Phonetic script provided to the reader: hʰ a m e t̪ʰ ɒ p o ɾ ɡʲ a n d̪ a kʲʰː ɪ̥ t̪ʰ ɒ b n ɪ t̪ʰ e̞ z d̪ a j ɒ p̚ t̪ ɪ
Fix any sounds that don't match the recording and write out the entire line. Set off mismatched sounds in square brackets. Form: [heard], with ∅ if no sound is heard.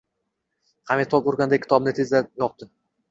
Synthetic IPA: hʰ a m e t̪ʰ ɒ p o ɾ ɡʲ a n d̪ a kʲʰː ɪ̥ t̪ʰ ɒ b n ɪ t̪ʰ e̞ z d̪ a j ɒ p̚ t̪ ɪ

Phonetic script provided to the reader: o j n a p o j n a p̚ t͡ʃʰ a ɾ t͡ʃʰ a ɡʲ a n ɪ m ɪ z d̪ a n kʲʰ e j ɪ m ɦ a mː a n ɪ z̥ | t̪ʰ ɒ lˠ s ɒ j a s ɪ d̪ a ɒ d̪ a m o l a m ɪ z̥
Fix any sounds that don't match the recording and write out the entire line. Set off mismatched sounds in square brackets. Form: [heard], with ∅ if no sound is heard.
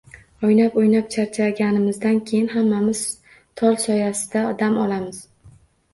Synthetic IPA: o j n a p o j n a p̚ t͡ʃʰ a ɾ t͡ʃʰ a ɡʲ a n ɪ m ɪ z d̪ a n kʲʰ e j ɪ [n] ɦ a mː a [m] ɪ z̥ | t̪ʰ ɒ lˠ s ɒ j a s ɪ d̪ a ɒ d̪ a m [ɒ] l a m ɪ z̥

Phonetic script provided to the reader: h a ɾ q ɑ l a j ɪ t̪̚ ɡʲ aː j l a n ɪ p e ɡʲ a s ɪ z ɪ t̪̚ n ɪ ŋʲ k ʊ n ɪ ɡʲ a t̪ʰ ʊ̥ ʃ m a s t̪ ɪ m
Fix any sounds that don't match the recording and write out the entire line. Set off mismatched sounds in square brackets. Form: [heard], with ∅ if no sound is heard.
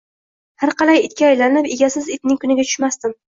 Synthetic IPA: h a ɾ q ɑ l a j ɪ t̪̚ [kʲ] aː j l a n ɪ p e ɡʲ a s ɪ z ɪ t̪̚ n ɪ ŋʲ k ʊ n ɪ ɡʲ a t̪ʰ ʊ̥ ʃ m a s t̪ ɪ m

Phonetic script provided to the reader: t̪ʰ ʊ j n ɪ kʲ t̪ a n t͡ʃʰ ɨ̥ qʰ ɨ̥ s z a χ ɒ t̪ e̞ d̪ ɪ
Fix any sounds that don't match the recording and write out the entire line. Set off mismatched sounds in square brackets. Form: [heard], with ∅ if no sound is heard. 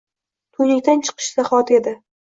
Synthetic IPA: t̪ʰ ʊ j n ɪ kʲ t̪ a n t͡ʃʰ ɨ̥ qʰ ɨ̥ [ʃ] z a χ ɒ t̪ e̞ d̪ ɪ

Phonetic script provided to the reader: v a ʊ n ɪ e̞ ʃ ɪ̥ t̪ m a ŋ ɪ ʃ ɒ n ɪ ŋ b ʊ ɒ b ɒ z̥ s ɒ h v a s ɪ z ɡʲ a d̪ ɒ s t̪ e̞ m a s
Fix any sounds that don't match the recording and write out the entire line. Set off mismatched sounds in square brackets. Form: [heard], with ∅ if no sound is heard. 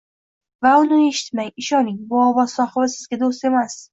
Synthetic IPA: v a ʊ n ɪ e̞ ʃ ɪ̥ t̪ m a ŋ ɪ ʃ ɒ n ɪ ŋ b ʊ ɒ [v] ɒ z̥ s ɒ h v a s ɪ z ɡʲ a d̪ [o] s t̪ e̞ m a s

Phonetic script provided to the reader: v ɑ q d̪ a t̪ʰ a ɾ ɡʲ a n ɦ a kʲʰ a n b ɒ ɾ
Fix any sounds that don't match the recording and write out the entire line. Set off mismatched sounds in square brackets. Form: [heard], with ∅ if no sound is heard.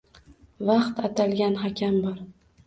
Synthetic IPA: v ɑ q [t̪] a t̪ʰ a [l] ɡʲ a n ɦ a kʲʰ a [m] b ɒ ɾ

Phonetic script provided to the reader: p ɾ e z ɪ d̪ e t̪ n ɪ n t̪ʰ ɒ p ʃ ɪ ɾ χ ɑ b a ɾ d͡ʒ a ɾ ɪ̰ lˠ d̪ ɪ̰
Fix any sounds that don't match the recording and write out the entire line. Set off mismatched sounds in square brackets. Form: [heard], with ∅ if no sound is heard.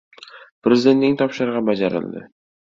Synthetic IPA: p ɾ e z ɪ d̪ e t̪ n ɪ [ŋ] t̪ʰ ɒ p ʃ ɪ ɾ [ʁ] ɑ b a [∅] d͡ʒ a ɾ ɪ̰ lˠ d̪ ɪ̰

